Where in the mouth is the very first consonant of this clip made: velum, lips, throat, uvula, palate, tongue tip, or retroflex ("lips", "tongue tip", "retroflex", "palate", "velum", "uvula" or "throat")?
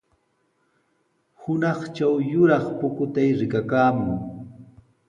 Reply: throat